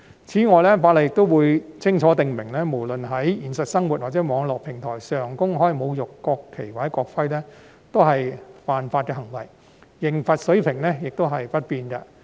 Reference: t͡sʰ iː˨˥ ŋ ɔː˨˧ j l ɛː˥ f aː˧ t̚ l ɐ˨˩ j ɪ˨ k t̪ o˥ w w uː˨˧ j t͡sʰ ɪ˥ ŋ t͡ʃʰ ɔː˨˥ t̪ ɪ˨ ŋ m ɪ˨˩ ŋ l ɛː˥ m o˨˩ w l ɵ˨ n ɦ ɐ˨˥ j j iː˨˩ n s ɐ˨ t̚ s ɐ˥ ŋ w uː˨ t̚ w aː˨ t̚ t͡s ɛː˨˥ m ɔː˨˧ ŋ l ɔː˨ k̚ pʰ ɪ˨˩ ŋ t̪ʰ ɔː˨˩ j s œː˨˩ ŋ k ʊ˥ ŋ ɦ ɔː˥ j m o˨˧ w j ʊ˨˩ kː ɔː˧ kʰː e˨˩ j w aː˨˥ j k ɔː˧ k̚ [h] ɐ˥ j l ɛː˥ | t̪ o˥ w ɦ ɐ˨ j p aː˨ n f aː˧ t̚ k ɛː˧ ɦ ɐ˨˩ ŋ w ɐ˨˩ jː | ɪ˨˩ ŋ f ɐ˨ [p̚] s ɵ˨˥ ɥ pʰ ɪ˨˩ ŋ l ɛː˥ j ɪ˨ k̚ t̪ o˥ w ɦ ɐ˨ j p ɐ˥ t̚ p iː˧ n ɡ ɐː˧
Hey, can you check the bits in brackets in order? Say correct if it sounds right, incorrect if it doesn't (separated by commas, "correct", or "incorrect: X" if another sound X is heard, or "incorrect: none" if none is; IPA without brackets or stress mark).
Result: incorrect: f, incorrect: t̚